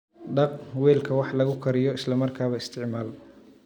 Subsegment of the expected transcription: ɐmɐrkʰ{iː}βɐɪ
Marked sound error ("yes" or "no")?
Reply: yes